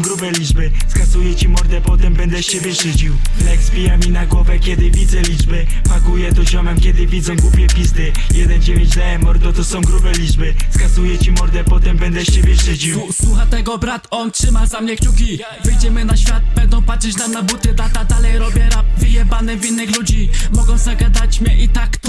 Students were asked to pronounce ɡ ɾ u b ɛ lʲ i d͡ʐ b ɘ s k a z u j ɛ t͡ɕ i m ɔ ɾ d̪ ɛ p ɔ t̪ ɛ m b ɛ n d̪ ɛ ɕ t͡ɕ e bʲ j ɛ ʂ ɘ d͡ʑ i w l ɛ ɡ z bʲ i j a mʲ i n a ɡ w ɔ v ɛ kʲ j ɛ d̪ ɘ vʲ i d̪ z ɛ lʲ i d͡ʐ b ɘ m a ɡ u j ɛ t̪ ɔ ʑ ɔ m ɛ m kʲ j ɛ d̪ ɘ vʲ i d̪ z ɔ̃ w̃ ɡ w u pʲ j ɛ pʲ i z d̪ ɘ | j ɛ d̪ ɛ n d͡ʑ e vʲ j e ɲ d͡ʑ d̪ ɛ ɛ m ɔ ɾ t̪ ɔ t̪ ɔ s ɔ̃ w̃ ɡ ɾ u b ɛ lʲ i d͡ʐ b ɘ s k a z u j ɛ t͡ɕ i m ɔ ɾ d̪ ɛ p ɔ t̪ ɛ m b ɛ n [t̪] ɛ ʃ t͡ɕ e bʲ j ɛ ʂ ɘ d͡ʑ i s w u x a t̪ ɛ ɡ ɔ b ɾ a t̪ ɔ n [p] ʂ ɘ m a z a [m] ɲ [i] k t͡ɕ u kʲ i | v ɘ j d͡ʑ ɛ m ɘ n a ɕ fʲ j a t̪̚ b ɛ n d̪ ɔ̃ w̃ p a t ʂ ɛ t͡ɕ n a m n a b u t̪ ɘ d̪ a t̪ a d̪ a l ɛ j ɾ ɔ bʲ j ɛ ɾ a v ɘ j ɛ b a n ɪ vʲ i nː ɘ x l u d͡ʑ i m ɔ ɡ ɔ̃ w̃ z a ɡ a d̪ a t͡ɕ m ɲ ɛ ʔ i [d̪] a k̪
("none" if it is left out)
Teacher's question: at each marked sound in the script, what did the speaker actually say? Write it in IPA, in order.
d̪, t, m, ɛ, t̪

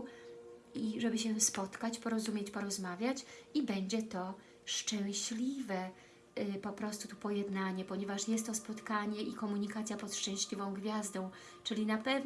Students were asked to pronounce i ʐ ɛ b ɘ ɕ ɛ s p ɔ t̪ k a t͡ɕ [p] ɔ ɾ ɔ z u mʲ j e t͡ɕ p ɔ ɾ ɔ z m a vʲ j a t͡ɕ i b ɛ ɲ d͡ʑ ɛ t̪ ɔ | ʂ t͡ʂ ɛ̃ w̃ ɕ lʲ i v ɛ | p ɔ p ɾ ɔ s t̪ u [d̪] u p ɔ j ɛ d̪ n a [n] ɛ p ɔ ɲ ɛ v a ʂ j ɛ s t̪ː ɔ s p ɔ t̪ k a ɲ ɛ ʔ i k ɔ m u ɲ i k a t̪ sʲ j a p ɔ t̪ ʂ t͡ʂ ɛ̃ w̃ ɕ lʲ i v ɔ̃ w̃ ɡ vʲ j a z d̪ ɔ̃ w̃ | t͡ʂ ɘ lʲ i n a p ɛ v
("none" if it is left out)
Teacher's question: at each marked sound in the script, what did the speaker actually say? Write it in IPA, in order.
p, t̪, ɲ

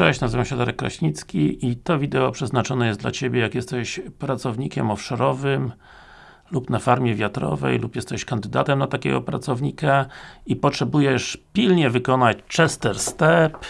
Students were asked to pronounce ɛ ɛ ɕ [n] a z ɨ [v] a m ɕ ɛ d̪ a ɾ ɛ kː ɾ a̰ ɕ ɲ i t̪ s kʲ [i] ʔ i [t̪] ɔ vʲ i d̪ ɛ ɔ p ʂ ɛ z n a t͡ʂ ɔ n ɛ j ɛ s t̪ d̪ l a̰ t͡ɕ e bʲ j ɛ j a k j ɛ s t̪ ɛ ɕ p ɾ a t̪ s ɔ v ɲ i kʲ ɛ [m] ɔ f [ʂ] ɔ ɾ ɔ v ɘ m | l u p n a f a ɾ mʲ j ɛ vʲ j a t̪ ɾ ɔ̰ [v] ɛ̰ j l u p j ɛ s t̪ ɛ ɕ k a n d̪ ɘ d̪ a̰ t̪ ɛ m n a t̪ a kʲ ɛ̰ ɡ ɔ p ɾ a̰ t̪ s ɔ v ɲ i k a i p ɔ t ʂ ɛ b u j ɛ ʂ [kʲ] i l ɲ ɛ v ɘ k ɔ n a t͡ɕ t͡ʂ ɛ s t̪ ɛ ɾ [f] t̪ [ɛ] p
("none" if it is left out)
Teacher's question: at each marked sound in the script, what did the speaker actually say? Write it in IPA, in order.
n, v, i, t̪, m, ʂ, v, pʲ, s, ɛ

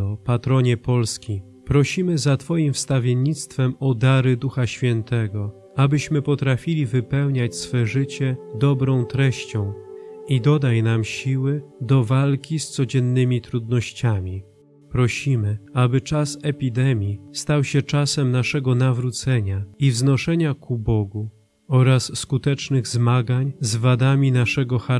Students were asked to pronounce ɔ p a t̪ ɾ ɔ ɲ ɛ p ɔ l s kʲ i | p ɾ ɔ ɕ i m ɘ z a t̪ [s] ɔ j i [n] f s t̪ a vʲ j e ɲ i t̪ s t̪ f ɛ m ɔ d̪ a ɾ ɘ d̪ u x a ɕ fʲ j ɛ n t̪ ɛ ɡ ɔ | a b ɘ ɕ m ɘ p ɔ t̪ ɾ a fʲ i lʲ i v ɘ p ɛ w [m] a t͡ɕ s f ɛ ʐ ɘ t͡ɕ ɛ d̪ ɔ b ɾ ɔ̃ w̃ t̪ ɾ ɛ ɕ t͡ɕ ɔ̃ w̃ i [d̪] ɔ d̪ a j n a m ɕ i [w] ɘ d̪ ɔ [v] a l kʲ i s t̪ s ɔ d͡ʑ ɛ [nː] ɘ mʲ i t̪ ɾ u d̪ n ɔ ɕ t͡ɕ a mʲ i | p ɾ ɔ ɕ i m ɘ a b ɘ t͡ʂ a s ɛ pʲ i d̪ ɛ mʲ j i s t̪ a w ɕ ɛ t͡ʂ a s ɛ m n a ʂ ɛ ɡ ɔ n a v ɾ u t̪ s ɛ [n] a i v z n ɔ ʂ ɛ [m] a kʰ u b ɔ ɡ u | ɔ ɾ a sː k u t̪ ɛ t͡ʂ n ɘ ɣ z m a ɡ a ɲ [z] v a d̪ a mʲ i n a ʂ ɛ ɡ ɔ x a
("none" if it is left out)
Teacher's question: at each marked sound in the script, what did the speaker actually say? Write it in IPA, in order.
f, m, ɲ, d̪, w, v, nː, ɲ, ɲ, z

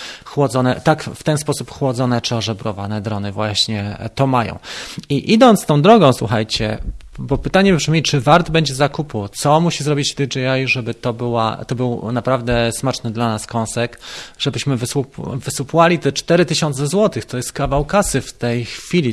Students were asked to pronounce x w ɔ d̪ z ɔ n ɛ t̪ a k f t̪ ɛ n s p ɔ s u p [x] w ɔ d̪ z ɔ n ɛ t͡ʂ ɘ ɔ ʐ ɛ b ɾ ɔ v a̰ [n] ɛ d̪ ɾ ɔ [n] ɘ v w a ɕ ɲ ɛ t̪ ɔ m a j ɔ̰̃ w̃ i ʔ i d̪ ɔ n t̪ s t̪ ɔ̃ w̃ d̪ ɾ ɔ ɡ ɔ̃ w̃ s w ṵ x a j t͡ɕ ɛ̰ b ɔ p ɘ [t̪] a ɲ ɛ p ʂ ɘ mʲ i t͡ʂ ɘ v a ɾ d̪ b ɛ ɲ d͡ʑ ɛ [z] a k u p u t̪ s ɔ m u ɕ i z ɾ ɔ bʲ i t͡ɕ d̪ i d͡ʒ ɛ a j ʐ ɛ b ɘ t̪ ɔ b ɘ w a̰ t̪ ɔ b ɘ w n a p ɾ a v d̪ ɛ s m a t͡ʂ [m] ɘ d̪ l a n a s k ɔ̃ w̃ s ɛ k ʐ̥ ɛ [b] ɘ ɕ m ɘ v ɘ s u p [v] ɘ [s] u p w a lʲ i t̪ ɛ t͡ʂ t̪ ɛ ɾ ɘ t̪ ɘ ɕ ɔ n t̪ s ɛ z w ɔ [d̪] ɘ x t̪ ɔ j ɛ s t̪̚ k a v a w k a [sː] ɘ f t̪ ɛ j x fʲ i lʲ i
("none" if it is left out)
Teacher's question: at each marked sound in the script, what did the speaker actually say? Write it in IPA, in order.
x, n, n, t̪, z, n, b, v, s, t̪, s

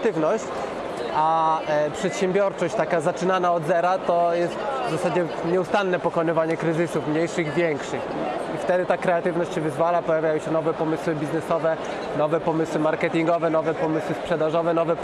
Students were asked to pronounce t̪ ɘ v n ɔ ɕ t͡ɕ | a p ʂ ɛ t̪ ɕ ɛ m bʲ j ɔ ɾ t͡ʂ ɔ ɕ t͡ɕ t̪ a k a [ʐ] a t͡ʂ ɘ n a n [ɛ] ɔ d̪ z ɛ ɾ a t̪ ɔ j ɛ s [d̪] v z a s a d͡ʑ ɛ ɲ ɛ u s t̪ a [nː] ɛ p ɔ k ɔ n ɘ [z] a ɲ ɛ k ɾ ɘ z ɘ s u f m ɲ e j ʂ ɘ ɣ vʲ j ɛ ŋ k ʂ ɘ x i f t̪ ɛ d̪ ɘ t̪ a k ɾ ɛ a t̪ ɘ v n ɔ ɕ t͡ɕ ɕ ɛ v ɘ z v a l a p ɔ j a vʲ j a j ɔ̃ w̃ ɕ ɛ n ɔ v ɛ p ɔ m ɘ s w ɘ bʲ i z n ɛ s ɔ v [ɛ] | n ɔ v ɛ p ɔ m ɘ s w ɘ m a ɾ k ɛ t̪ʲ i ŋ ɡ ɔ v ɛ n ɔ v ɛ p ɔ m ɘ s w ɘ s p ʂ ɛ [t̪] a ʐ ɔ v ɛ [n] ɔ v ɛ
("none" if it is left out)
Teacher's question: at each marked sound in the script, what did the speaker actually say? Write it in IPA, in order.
z, a, t̪, nː, v, ɛ, d̪, n

